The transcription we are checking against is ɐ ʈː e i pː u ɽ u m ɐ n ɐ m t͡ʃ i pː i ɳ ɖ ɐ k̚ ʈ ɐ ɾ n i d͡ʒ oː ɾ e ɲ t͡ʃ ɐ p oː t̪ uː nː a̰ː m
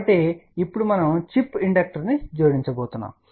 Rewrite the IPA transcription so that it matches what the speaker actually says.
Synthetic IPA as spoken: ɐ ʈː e i pː u ɽ u m ɐ n ɐ m t͡ʃ i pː i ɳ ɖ ɐ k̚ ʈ ɐ ɾ n i d͡ʒ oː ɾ i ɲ t͡ʃ ɐ b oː t̪ u nː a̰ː m